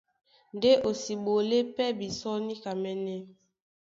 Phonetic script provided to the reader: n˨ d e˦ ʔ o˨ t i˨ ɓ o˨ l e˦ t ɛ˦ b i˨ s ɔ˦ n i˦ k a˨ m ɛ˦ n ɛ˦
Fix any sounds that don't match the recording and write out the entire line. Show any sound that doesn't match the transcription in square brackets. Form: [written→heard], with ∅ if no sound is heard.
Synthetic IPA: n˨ d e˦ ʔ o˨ [t→s] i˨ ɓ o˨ l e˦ [t→p] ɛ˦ b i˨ s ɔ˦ n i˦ k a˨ m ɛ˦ n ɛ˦